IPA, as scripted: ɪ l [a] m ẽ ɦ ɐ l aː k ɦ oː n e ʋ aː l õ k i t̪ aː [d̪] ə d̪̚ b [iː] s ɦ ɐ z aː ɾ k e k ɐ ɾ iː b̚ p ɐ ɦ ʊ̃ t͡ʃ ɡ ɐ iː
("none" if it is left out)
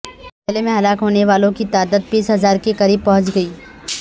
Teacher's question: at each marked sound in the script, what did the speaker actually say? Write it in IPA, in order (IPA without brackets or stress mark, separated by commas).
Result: e, d̪, iː